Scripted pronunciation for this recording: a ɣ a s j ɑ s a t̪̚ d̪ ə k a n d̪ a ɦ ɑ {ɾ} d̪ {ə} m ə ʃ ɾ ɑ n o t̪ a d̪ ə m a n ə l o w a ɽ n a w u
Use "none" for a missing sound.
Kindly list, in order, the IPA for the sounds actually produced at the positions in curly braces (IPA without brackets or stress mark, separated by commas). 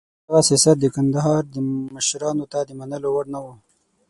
ɾ, ə